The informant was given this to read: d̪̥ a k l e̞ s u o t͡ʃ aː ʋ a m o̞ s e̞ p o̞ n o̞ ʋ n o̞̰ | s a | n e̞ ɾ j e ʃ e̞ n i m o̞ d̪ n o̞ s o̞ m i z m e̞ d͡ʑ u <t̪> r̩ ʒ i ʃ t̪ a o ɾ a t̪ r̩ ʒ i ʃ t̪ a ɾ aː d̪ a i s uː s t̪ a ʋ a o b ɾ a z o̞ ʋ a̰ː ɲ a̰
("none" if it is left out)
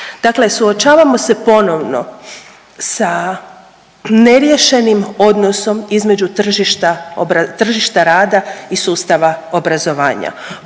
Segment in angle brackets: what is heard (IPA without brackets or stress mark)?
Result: t̪